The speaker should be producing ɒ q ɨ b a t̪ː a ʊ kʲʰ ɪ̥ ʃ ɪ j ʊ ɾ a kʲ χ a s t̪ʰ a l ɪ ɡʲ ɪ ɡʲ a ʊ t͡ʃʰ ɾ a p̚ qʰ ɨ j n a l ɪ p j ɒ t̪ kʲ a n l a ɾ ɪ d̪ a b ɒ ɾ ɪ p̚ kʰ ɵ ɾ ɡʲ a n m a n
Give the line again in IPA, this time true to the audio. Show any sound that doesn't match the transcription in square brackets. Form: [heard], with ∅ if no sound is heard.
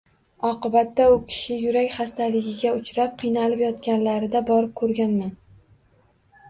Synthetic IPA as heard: ɒ q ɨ b a t̪ː a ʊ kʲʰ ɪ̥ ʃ ɪ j ʊ ɾ a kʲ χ a s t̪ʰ a l ɪ ɡʲ ɪ ɡʲ a ʊ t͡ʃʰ ɾ a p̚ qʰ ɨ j n a l ɪ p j ɒ t̪ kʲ a n l a ɾ ɪ d̪ a b ɒ ɾ ɪ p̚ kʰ ɵ ɾ ɡʲ a n m a n